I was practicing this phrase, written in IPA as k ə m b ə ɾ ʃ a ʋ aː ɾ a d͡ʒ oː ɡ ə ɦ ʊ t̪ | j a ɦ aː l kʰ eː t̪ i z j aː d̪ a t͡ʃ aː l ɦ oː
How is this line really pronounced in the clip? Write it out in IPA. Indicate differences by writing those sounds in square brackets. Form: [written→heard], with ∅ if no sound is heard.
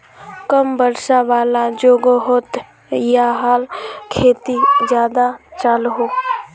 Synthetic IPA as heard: k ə m b ə ɾ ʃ a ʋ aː [ɾ→l] a d͡ʒ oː ɡ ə ɦ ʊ t̪ | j a ɦ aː l kʰ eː t̪ i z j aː d̪ a t͡ʃ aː l ɦ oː